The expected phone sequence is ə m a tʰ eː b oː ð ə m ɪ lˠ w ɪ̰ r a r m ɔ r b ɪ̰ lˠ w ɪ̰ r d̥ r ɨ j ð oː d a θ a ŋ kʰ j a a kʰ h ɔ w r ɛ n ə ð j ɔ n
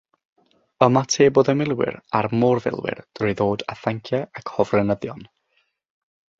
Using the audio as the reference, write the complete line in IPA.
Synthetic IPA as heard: ə m a tʰ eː b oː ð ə m ɪ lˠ w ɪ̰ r a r m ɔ r v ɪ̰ lˠ w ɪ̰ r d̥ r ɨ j ð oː d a θ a ŋ kʰ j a a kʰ h ɔ v r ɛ n ə ð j ɔ n